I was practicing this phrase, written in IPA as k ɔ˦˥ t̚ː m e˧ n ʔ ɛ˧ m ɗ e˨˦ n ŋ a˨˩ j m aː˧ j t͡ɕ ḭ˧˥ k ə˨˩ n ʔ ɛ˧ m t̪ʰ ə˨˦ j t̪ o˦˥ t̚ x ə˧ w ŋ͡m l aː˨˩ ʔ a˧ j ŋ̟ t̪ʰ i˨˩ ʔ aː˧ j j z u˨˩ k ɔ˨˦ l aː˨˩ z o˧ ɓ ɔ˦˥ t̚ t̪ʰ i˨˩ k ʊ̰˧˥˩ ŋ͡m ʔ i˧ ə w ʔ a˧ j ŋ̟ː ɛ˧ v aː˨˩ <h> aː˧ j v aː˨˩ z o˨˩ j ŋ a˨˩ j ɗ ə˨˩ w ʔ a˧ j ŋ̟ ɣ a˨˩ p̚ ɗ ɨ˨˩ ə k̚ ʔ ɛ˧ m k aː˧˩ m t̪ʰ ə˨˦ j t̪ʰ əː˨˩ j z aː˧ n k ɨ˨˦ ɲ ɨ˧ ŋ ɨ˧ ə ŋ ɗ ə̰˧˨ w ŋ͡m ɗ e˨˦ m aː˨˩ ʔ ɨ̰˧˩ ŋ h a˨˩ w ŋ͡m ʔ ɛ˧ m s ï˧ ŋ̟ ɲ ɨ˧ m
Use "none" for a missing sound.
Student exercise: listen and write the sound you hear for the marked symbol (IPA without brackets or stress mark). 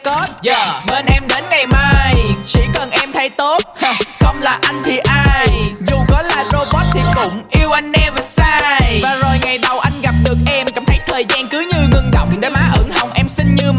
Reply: s